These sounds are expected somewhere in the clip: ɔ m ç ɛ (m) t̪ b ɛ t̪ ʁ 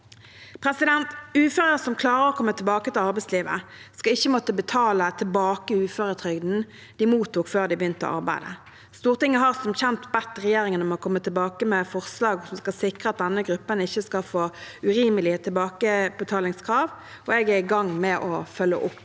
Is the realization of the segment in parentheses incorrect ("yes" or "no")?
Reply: yes